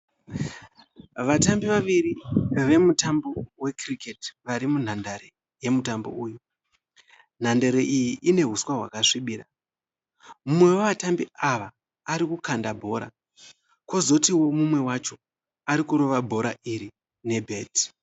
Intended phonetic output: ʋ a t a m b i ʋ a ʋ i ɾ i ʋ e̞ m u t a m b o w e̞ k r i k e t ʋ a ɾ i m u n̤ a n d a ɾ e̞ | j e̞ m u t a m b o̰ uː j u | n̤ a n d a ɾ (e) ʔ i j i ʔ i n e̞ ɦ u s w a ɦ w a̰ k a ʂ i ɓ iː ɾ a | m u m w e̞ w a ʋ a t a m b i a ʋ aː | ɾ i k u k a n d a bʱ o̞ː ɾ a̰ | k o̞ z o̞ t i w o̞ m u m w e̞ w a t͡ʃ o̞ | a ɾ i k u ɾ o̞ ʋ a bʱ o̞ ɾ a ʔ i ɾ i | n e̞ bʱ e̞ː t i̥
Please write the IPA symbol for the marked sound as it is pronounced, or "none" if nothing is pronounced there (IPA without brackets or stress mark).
e